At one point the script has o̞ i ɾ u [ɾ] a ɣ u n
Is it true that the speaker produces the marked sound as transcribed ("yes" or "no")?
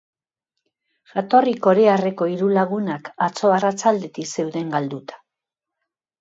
no